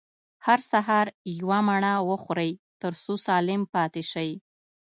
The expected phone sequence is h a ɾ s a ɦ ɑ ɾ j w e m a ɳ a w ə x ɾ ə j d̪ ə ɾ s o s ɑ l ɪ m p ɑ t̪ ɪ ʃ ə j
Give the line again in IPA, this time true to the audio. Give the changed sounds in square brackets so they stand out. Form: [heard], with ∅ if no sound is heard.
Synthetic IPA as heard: h a ɾ s a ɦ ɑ ɾ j w [a] m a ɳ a w ə x ɾ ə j [t̪] ə ɾ s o s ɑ l ɪ m p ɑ t̪ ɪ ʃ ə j